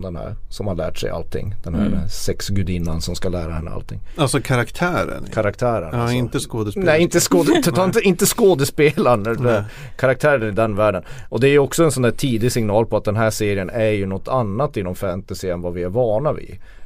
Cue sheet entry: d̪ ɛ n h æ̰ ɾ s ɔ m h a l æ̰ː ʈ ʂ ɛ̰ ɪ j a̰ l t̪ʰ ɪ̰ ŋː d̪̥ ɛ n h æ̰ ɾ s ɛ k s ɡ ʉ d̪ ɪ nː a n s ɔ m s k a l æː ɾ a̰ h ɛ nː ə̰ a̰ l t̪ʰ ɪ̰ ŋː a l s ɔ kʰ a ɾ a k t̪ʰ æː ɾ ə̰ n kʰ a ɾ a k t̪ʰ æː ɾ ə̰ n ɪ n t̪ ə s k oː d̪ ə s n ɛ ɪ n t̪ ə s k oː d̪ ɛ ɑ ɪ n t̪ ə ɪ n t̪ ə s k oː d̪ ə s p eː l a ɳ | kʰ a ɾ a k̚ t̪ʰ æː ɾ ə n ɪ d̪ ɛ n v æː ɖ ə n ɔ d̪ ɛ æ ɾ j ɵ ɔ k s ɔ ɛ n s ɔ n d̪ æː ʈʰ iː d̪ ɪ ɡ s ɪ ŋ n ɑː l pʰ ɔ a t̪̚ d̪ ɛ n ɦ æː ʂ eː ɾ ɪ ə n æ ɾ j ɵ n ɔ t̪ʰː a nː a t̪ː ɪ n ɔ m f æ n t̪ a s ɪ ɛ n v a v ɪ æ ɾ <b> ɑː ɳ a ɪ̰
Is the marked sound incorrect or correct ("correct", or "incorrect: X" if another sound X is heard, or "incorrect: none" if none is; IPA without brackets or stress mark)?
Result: incorrect: v